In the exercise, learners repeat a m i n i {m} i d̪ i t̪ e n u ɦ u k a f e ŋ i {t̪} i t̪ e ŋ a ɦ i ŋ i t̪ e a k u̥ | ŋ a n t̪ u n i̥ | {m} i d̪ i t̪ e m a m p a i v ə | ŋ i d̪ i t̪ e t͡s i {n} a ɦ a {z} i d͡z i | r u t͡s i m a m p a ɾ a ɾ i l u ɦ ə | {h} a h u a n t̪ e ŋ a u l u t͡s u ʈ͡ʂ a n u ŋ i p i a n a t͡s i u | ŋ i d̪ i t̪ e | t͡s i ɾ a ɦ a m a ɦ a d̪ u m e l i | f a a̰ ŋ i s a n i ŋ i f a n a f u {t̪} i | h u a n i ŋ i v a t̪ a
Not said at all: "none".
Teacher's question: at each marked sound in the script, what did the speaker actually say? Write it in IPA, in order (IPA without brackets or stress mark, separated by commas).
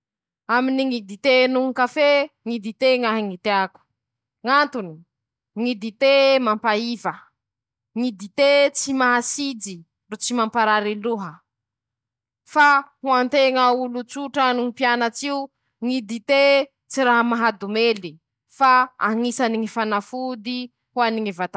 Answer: ŋ, d̪, ŋ, m, s, f, d̪